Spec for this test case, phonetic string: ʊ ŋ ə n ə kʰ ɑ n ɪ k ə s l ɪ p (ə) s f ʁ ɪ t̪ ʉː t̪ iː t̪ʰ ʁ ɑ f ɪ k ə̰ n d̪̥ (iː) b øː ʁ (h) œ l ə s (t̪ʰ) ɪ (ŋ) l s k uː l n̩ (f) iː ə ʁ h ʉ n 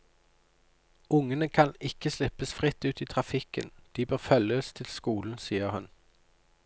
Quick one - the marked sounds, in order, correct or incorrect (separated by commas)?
correct, correct, incorrect, correct, incorrect, incorrect